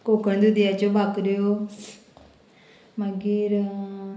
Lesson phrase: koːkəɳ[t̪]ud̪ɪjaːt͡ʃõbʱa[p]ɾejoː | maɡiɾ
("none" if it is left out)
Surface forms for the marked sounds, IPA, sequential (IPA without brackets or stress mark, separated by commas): d̪, k